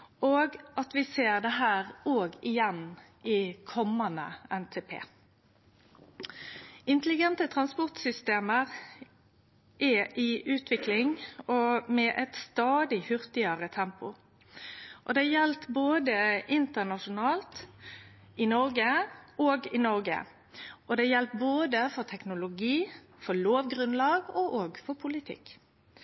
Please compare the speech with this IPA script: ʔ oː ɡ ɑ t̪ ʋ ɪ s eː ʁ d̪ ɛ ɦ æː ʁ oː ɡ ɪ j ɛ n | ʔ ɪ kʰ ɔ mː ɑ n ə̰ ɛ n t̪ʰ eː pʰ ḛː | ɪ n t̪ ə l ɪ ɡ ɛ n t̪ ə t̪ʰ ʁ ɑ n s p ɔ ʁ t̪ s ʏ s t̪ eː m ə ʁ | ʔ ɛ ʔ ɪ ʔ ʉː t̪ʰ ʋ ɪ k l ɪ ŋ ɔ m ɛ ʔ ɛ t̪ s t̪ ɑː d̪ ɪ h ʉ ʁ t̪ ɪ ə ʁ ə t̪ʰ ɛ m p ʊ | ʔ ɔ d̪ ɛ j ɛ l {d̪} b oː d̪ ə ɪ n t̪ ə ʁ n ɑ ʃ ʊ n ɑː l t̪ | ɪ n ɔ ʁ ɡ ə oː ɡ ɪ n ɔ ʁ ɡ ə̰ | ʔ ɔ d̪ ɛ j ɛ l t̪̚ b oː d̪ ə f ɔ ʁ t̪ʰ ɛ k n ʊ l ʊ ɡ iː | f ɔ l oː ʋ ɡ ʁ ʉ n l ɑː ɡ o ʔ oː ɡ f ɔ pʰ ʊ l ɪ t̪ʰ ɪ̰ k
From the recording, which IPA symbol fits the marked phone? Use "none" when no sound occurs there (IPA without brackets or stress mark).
t̪